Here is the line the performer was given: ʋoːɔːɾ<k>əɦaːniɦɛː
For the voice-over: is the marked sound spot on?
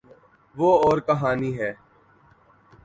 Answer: yes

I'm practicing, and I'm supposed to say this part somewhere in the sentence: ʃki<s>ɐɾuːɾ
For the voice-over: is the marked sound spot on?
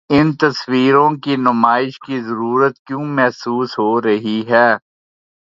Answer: no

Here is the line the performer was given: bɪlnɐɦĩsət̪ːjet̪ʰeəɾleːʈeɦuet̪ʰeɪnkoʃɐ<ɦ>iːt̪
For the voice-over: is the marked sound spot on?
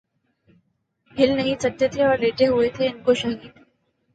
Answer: yes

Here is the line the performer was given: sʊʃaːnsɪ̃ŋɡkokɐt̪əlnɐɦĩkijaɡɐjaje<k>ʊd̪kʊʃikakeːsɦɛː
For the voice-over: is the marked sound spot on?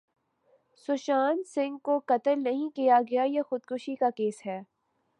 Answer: no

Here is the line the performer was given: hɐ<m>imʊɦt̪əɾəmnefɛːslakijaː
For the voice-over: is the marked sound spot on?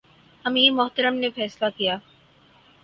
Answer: yes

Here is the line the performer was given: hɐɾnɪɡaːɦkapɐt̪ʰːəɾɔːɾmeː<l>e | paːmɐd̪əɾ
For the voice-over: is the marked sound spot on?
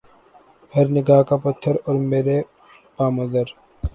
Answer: no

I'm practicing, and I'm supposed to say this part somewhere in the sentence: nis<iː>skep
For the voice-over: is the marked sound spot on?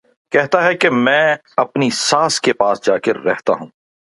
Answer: no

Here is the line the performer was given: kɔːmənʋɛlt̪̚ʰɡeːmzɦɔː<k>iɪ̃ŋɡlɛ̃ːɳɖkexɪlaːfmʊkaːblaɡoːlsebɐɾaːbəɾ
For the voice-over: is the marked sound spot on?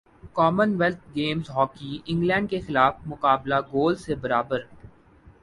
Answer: yes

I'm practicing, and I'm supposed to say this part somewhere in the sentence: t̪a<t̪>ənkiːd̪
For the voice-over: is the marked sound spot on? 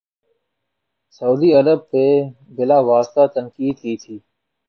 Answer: yes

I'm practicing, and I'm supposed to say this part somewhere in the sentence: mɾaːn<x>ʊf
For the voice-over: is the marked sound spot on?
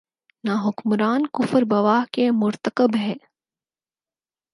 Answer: no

